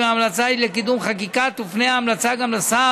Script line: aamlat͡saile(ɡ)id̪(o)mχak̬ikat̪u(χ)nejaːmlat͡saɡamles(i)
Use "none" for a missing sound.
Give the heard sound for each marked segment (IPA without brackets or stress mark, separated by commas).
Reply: k, u, f, a